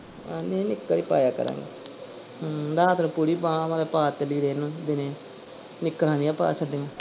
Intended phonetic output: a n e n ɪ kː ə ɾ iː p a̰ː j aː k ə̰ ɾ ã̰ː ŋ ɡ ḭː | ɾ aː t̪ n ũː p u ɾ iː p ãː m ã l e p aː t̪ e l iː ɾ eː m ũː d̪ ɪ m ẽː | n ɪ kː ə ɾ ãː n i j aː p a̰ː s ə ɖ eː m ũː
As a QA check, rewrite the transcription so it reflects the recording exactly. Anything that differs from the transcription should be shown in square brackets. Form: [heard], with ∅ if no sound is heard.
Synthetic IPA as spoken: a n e n ɪ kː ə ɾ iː p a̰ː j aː k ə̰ ɾ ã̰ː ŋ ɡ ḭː | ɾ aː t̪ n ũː p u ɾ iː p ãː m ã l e p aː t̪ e l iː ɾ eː [n] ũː d̪ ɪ [n] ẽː | n ɪ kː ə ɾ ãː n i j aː p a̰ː s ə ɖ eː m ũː